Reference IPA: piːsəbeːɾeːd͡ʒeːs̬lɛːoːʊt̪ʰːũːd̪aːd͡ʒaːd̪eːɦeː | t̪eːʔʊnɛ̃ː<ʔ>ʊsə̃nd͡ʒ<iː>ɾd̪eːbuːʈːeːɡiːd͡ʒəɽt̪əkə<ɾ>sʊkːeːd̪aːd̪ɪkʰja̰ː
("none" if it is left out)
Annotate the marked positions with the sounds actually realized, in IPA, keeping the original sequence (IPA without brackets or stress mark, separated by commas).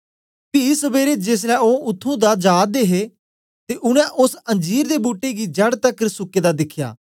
ʔ, iː, ɾ